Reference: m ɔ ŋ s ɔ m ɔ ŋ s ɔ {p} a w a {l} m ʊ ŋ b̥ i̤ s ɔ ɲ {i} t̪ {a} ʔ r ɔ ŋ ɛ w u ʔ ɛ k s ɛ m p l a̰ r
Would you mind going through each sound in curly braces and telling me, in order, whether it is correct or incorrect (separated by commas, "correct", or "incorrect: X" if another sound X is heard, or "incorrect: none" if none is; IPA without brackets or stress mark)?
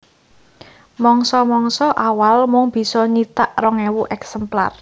incorrect: ʔ, correct, correct, correct